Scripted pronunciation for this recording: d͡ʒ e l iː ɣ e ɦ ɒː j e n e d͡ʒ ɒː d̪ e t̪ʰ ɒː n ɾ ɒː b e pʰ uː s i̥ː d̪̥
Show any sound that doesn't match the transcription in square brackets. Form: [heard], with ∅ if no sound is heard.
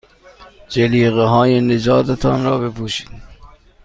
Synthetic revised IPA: d͡ʒ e l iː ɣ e ɦ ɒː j e n e d͡ʒ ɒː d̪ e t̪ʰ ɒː n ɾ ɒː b e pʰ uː [ʃ] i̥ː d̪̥